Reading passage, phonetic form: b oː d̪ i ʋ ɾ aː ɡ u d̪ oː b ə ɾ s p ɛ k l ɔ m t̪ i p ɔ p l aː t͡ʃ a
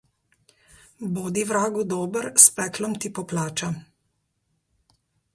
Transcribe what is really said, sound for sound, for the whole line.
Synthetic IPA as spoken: b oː d̪ i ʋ ɾ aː ɡ u d̪ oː b ə ɾ s p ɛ k l ɔ m t̪ i p ɔ p l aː t͡ʃ a

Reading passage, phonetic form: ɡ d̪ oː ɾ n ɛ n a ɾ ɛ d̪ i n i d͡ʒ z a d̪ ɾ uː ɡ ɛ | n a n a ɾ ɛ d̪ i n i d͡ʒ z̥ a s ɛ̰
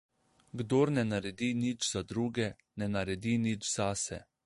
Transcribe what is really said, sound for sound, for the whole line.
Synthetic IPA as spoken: ɡ d̪ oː ɾ n ɛ n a ɾ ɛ d̪ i n i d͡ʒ z a d̪ ɾ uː ɡ ɛ | n ɛ n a ɾ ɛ d̪ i n i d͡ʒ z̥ a s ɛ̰

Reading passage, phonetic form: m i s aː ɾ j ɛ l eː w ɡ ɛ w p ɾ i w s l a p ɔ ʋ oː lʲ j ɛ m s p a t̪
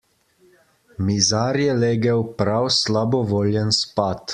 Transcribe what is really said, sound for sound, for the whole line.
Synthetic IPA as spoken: m i z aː ɾ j ɛ l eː ɡ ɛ w p ɾ a w s l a b ɔ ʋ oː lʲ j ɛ n s p a t̪

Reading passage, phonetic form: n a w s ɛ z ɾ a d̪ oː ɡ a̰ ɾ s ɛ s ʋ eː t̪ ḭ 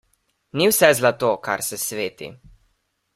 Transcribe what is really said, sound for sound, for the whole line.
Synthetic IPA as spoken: n i w s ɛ z l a t̪ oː k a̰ ɾ s ɛ s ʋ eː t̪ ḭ

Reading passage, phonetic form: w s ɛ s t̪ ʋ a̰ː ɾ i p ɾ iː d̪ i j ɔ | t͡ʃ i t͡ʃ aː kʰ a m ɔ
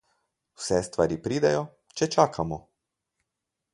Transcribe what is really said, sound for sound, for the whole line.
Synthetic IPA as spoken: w s ɛ s t̪ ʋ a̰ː ɾ i p ɾ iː d̪ ɛ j ɔ | t͡ʃ ɛ t͡ʃ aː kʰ a m ɔ

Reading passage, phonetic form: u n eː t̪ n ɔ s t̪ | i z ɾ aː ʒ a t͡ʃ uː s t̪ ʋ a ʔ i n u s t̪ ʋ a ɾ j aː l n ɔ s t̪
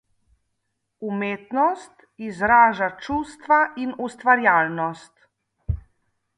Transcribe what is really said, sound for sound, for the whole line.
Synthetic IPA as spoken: u m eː t̪ n ɔ s t̪ | i z ɾ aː ʒ a t͡ʃ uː s t̪ ʋ a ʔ i n u s t̪ ʋ a ɾ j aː l n ɔ s t̪

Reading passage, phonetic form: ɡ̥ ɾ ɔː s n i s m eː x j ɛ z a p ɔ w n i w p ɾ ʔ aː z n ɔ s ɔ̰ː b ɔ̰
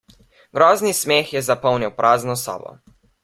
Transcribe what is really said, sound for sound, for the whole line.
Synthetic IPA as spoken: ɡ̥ ɾ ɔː z n i s m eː x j ɛ z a p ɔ w n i w p ɾ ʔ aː z n ɔ s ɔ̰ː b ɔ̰

